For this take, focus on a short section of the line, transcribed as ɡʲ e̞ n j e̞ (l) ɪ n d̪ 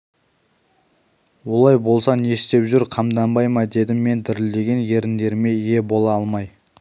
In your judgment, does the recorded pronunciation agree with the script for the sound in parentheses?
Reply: no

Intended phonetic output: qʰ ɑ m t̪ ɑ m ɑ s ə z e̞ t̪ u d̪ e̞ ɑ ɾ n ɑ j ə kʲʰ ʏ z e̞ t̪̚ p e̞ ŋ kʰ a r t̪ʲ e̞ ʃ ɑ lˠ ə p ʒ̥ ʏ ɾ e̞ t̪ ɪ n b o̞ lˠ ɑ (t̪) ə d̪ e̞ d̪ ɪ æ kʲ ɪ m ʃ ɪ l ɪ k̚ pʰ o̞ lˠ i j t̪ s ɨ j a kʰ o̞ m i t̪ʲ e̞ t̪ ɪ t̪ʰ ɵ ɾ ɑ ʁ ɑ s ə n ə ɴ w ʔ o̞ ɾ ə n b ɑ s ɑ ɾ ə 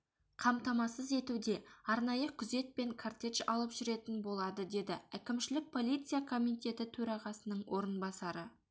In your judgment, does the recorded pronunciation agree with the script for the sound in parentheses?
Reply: no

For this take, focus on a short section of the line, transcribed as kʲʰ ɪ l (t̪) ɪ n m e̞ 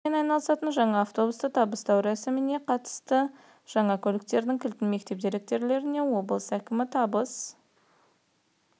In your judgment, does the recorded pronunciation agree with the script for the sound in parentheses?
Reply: yes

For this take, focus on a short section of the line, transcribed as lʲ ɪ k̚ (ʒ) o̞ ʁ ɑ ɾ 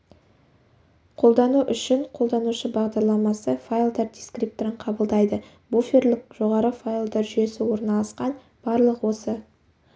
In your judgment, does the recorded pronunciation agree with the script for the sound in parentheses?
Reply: yes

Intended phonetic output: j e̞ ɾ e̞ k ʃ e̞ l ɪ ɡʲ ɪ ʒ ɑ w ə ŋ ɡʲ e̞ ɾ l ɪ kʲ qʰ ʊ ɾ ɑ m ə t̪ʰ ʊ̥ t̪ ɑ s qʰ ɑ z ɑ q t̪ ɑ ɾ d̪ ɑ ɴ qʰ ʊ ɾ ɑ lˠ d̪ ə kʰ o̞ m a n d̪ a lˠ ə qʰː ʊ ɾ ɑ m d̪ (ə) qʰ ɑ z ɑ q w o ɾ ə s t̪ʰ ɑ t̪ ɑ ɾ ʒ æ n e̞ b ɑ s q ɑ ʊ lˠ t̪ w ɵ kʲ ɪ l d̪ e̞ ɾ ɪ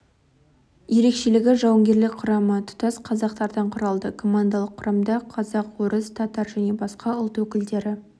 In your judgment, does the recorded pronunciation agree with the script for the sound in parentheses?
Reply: no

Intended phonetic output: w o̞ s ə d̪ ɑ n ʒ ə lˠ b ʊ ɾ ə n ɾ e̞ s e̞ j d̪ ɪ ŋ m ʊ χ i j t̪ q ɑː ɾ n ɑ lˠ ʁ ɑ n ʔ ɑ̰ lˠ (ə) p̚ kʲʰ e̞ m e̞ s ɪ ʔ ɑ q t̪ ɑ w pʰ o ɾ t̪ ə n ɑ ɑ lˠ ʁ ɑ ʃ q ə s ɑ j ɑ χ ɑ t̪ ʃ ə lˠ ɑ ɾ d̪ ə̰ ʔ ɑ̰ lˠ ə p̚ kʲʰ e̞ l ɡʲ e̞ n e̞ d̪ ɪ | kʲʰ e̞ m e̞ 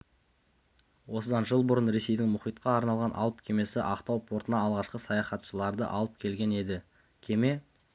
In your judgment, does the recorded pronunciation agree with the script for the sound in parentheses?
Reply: yes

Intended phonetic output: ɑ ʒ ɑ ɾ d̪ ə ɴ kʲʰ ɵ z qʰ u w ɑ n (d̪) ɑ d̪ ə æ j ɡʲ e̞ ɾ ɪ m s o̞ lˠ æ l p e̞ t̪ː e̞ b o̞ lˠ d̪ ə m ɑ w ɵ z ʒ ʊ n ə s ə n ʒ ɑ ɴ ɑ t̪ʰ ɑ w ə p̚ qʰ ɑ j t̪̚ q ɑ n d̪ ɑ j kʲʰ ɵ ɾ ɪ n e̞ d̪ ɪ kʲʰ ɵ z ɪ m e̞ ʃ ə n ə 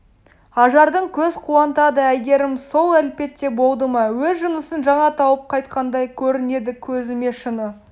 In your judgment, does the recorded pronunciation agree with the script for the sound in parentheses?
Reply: no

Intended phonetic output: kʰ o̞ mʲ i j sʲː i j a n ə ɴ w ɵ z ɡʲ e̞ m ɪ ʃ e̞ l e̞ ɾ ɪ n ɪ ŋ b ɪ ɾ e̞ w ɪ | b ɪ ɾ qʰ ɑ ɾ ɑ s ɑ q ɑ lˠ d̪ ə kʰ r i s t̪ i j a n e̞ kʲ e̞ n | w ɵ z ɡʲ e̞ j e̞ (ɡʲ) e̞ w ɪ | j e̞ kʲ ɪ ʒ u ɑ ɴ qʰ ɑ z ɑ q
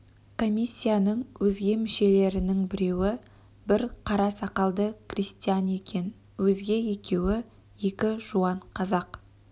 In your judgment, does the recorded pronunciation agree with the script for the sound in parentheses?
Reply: no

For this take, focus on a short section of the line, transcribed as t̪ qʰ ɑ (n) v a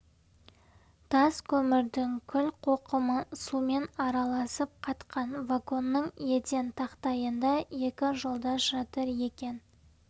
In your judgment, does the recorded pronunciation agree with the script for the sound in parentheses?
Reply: yes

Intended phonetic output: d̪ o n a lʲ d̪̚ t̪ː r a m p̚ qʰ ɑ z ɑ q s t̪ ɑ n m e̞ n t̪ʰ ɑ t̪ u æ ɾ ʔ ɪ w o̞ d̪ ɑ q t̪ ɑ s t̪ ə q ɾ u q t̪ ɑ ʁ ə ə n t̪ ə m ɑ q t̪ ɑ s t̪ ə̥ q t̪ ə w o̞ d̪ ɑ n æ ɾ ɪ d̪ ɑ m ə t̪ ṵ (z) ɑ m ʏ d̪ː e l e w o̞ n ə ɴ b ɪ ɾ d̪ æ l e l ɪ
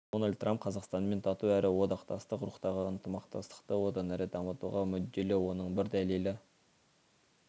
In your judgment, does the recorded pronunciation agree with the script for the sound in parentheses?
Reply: no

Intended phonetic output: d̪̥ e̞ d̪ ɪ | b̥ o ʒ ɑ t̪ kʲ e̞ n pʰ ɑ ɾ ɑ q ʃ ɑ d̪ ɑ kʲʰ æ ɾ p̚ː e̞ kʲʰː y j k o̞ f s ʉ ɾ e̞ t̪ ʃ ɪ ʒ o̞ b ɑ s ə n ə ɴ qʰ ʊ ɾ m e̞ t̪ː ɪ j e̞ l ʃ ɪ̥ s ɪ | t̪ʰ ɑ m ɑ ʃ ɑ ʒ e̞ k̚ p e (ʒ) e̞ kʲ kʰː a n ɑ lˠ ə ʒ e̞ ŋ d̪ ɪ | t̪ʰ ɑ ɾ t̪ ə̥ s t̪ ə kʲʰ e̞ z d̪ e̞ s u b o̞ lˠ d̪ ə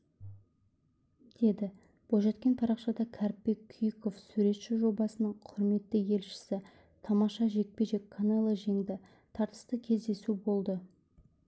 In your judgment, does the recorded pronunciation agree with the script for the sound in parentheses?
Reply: yes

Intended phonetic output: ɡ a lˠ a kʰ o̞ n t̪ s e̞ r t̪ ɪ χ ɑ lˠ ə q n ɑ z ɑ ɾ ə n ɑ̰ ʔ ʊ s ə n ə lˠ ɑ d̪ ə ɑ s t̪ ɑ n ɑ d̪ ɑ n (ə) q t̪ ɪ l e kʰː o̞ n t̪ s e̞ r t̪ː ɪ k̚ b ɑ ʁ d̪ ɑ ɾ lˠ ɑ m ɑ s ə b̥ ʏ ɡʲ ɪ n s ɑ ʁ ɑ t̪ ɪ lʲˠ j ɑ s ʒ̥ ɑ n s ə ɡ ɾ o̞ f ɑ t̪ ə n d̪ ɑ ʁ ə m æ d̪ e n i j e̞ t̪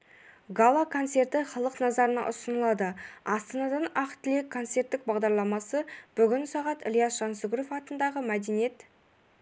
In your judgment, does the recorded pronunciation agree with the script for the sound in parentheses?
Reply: no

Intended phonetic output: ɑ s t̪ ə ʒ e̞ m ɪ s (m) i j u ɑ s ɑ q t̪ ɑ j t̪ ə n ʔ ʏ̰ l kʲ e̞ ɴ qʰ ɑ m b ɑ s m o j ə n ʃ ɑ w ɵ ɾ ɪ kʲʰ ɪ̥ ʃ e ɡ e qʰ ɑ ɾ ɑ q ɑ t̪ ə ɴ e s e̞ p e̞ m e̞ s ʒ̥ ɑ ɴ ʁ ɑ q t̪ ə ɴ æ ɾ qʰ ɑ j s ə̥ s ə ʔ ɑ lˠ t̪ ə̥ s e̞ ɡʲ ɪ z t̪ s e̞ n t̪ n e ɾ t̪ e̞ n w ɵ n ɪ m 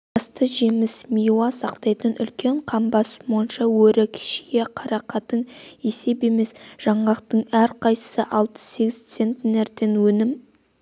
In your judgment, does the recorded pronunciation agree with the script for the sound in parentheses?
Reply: yes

